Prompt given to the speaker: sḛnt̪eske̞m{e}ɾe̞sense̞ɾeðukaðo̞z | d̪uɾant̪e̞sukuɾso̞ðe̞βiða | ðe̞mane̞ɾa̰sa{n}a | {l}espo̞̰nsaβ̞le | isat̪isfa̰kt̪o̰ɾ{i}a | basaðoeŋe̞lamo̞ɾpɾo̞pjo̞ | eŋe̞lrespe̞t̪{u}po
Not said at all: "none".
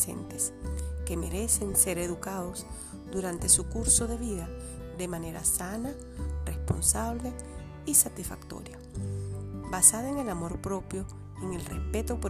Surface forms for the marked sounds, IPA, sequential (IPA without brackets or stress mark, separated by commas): e, n, r, j, o